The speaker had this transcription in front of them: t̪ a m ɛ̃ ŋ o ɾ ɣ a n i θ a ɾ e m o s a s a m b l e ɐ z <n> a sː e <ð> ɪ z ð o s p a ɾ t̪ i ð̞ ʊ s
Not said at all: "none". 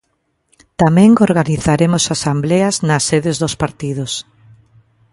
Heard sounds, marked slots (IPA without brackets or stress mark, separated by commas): n, ð